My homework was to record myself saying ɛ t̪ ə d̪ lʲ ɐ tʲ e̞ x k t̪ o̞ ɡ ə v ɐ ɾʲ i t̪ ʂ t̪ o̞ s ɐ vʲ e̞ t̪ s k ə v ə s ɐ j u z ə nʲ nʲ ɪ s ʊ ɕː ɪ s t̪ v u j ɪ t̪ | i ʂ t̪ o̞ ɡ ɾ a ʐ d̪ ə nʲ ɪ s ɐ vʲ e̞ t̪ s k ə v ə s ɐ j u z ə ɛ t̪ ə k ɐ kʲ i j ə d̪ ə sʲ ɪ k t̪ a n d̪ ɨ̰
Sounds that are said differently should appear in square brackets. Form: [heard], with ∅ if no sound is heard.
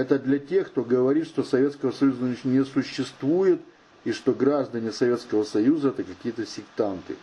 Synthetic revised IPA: ɛ t̪ ə d̪ lʲ ɐ tʲ e̞ x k t̪ o̞ ɡ ə v ɐ ɾʲ i t̪ ʂ t̪ o̞ s ɐ vʲ e̞ t̪ s k ə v ə s ɐ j u z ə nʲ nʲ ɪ s ʊ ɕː ɪ s t̪ v u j ɪ t̪ | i ʂ t̪ o̞ ɡ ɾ a ʐ d̪ ə nʲ ɪ s ɐ vʲ e̞ t̪ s k ə v ə s ɐ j u z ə ɛ t̪ ə k ɐ kʲ i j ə [t̪] ə sʲ ɪ k t̪ a n [t̪] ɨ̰

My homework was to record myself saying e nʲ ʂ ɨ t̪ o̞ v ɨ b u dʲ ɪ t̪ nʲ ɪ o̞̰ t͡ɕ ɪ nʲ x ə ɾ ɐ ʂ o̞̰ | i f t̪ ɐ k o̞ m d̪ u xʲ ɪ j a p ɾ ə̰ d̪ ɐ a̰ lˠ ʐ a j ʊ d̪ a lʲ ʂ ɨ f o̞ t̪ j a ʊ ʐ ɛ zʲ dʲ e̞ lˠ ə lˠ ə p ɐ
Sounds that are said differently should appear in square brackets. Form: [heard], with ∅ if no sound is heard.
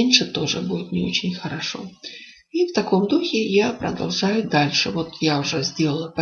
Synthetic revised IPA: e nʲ ʂ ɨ t̪ o̞ [ʐ] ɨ b u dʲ ɪ t̪ nʲ ɪ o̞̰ t͡ɕ ɪ nʲ x ə ɾ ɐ ʂ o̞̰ | i f t̪ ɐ k o̞ m d̪ u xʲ ɪ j a p ɾ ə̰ d̪ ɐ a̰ lˠ ʐ a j ʊ d̪ a lʲ ʂ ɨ [v] o̞ t̪ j a ʊ ʐ ɛ zʲ dʲ e̞ lˠ ə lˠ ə p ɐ

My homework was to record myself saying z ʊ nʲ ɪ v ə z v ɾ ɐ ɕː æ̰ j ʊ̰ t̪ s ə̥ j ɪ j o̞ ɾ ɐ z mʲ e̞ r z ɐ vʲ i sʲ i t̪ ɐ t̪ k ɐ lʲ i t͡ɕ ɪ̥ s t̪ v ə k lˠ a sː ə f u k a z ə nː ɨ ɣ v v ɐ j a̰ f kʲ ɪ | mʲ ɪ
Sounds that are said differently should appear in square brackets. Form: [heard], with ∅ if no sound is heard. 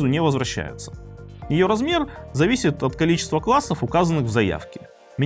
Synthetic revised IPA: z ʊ nʲ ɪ v ə z v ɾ ɐ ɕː æ̰ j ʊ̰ t̪ s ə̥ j ɪ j o̞ ɾ ɐ z mʲ e̞ r z ɐ vʲ i sʲ [ɪ] t̪ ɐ t̪ k ɐ lʲ i t͡ɕ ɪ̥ s t̪ v ə k lˠ a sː ə f [ʊ] k a z ə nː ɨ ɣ v [z] ɐ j a̰ f kʲ ɪ | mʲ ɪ

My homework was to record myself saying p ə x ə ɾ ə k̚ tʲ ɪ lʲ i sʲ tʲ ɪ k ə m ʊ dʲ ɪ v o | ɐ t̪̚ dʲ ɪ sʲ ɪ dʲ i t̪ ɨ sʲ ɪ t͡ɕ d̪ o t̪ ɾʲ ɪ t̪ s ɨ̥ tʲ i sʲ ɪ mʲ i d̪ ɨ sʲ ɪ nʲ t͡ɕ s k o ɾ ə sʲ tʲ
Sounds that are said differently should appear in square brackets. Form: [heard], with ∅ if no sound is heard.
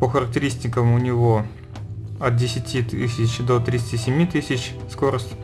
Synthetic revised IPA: p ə x ə ɾ ə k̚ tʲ ɪ [ɾʲ] i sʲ tʲ ɪ k ə m ʊ [nʲ] ɪ v o | ɐ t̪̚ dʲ ɪ sʲ ɪ [tʲ] i t̪ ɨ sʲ ɪ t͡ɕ d̪ o t̪ ɾʲ ɪ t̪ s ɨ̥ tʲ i sʲ ɪ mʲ i [t̪] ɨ sʲ ɪ [∅] t͡ɕ s k o ɾ ə sʲ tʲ

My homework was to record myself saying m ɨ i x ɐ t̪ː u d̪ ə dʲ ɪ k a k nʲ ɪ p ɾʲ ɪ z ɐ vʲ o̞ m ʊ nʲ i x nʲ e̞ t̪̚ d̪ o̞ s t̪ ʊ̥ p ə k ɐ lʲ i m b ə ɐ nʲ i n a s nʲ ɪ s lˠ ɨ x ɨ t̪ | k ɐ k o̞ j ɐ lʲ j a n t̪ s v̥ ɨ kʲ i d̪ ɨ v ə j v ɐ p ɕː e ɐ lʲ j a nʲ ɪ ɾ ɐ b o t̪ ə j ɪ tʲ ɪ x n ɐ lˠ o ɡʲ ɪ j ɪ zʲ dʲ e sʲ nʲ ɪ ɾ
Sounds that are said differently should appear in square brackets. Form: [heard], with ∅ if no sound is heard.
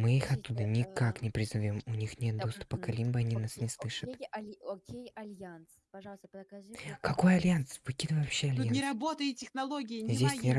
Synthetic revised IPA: m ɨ i x ɐ t̪ː u d̪ ə [nʲ] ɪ k a k nʲ ɪ p ɾʲ ɪ z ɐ vʲ o̞ m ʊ nʲ i x nʲ e̞ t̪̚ d̪ o̞ s t̪ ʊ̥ p ə k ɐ lʲ i m b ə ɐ nʲ i n a s nʲ ɪ s lˠ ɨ [ʂ] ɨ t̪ | k ɐ k o̞ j ɐ lʲ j a n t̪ s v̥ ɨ kʲ i d̪ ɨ v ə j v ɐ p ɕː e ɐ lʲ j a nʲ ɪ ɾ ɐ b o t̪ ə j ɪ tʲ ɪ x n ɐ lˠ o ɡʲ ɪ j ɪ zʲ dʲ e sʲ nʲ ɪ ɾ

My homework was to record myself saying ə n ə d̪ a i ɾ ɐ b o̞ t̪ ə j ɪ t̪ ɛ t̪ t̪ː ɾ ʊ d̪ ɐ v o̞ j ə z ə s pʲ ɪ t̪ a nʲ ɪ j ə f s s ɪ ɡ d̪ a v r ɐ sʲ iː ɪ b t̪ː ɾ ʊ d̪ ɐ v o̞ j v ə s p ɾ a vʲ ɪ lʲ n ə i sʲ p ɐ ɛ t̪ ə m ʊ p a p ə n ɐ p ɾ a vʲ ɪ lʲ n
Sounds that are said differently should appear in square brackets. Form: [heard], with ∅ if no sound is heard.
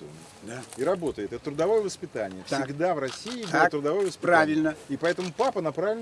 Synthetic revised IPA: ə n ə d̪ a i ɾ ɐ b o̞ t̪ ə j ɪ t̪ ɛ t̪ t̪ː ɾ ʊ d̪ ɐ v o̞ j ə [v] ə s pʲ ɪ t̪ a nʲ ɪ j ə f s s ɪ ɡ d̪ a v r ɐ sʲ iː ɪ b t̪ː ɾ ʊ d̪ ɐ v o̞ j v ə s p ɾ a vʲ ɪ lʲ n ə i [∅] p ɐ ɛ t̪ ə m ʊ p a p ə n ɐ p ɾ a vʲ ɪ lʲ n

